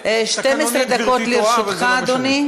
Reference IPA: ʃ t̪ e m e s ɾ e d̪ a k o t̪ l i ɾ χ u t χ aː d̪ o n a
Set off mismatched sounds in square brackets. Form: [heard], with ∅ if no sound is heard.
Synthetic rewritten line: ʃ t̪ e m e s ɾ e d̪ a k o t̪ l i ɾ [ʃ] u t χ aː d̪ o n [i]